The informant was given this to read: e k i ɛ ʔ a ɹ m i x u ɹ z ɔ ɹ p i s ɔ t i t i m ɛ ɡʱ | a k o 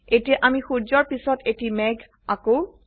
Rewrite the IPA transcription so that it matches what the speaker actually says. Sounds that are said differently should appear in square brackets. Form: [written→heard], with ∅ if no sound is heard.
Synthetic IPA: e [k→t] i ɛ ʔ a [ɹ→∅] m i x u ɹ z ɔ ɹ p i s ɔ t [i→e] t i m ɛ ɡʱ | a k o